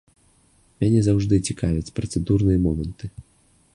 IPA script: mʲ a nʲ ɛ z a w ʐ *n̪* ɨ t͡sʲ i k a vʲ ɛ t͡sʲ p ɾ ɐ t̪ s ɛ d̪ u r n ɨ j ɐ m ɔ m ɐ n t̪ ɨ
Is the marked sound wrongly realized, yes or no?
yes